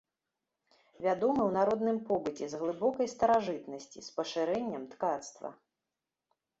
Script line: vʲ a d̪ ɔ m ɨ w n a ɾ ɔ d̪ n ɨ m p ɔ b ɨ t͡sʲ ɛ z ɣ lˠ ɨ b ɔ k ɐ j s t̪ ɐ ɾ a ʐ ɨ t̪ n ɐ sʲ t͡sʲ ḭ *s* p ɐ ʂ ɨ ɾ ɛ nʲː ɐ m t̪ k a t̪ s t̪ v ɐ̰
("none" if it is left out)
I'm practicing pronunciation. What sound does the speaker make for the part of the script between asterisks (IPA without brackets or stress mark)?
s